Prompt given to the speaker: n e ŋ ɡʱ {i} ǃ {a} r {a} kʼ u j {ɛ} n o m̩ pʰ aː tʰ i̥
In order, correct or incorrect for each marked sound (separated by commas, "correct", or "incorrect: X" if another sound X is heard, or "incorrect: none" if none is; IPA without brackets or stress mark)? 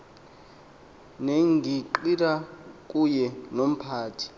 correct, incorrect: i, correct, correct